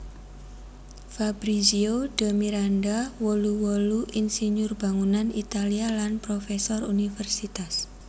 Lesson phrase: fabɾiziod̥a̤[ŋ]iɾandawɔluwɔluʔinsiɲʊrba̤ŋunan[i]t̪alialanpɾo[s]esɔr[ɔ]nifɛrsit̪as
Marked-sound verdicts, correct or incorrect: incorrect: m, correct, incorrect: f, incorrect: u

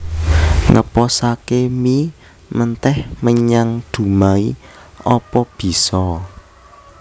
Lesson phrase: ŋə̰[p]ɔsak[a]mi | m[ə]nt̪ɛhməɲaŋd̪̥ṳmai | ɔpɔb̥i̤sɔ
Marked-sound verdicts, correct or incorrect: correct, incorrect: e, correct

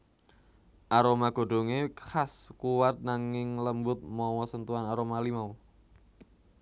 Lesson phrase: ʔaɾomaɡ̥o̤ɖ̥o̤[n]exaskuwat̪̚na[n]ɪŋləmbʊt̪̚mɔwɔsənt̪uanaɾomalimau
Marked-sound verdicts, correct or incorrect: incorrect: ŋ, incorrect: ŋ

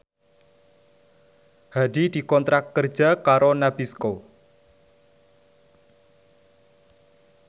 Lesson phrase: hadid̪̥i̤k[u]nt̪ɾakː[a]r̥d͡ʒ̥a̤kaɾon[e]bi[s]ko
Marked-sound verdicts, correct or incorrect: incorrect: ɔ, incorrect: ə, incorrect: a, correct

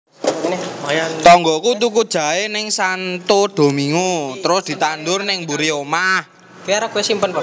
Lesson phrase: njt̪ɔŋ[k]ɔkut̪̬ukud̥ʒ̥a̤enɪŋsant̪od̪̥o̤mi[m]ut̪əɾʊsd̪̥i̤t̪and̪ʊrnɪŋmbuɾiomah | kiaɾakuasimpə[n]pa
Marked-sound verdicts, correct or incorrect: incorrect: ɡ, incorrect: ŋ, correct

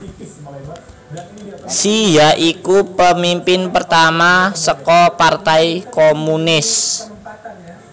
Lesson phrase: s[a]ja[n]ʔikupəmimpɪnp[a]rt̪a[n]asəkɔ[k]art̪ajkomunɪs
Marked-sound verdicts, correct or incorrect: incorrect: i, incorrect: none, incorrect: ə, incorrect: m, incorrect: p

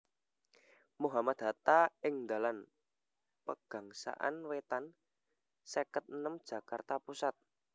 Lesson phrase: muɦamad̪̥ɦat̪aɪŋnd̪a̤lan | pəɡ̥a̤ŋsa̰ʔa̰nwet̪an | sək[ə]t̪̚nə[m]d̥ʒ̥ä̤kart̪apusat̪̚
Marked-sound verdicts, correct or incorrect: correct, correct

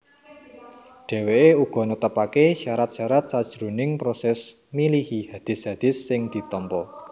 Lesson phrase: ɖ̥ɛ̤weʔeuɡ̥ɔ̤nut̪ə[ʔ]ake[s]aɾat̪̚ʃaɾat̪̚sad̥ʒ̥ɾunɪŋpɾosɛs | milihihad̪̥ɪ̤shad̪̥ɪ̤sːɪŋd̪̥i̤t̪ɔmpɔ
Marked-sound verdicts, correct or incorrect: incorrect: p, incorrect: ʃ

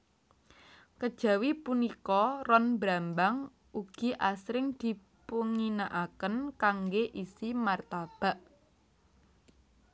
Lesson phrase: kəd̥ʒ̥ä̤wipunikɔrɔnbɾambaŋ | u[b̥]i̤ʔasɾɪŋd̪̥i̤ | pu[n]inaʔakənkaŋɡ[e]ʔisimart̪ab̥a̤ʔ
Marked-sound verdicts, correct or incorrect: incorrect: ɡ̥, incorrect: ŋ, correct

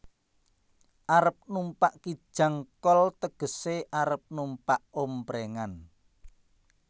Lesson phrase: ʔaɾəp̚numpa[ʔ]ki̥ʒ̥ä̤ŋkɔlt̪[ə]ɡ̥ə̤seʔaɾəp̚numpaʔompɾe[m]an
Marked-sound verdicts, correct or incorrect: correct, correct, incorrect: ŋ

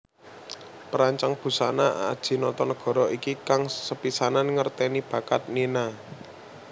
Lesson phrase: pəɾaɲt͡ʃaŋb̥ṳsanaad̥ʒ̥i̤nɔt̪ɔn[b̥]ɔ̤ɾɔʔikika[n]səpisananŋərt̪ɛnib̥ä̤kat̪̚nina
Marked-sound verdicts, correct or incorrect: incorrect: ɡ̥, incorrect: ŋ

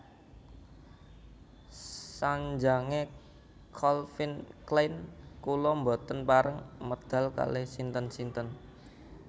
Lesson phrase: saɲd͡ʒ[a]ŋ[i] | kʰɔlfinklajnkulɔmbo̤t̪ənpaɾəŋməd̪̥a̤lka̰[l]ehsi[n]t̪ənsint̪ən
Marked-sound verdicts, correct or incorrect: correct, incorrect: e, correct, correct

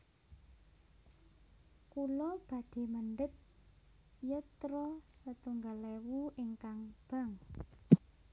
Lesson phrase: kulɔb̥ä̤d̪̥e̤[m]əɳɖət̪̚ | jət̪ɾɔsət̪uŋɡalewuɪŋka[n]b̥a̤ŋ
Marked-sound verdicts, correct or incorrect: correct, incorrect: ŋ

